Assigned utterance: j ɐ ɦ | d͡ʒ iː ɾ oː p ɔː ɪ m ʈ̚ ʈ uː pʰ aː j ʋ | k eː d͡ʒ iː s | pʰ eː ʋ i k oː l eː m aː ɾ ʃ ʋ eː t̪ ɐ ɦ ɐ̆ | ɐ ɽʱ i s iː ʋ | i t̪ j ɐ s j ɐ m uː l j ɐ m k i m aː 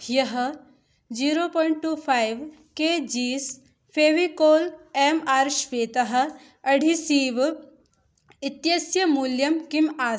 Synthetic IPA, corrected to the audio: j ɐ ɦ | d͡ʒ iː ɾ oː p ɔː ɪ ɳ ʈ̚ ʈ uː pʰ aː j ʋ | k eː d͡ʒ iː s | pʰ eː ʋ i k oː l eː m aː ɾ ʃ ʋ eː t̪ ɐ ɦ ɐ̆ | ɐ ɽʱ i s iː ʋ | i t̪ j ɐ s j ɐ m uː l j ɐ m k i m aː